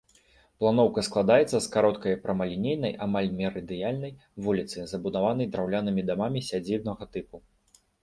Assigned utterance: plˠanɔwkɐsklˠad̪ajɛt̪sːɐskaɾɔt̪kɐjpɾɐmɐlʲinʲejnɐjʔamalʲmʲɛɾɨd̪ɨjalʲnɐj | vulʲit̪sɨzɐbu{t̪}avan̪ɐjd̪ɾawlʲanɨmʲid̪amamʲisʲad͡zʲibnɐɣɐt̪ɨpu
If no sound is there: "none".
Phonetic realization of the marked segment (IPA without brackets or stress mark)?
d̪